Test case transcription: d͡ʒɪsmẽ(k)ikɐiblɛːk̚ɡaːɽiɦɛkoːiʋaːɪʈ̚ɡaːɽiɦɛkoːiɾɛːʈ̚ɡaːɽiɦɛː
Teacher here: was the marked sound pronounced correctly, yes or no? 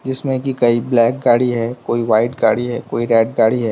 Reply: yes